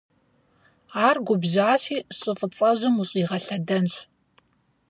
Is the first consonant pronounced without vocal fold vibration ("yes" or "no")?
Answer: no